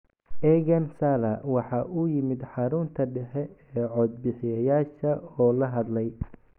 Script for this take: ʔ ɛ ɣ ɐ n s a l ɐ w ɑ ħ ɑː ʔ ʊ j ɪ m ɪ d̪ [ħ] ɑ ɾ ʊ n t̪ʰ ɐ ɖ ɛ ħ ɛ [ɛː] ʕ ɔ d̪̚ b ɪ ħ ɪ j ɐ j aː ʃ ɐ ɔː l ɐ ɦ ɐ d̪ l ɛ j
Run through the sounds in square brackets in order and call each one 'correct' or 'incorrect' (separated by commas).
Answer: correct, correct